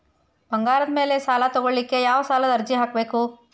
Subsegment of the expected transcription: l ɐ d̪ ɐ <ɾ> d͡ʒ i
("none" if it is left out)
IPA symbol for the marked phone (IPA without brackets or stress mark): ɾ